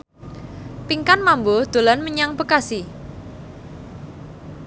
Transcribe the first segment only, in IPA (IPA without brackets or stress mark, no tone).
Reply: p